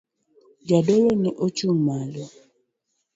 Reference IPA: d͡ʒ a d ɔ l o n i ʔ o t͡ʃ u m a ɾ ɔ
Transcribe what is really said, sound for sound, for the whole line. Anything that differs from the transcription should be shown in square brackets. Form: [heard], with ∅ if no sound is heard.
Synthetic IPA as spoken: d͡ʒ a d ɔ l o n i ʔ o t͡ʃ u m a [l] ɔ

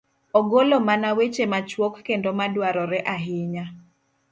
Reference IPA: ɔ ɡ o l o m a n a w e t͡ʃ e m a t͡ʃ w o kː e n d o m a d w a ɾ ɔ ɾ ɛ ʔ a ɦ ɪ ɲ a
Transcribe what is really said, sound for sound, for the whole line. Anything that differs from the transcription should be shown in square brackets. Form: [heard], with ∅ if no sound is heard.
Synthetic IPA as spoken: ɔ ɡ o l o m a n a w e t͡ʃ e m a t͡ʃ w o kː e n d o m a d w a ɾ ɔ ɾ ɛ ʔ a ɦ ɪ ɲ a

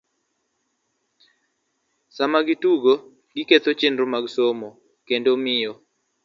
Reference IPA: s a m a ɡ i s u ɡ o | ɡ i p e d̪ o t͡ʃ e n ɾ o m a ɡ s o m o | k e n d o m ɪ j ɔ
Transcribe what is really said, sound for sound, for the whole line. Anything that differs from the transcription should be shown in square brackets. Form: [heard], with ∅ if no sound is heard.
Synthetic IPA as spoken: s a m a ɡ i [t] u ɡ o | ɡ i [k] e [t̪] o t͡ʃ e n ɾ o m a ɡ s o m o | k e n d o m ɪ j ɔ

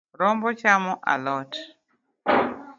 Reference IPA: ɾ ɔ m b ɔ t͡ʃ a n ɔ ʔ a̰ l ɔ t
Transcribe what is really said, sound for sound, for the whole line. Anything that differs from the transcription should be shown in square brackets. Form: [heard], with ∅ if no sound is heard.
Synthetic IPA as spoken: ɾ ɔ m b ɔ t͡ʃ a [m] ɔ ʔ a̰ l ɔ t

